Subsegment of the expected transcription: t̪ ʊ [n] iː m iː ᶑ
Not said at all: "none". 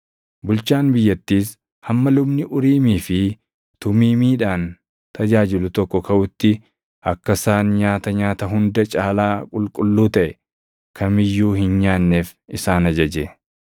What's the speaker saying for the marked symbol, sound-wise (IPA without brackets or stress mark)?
m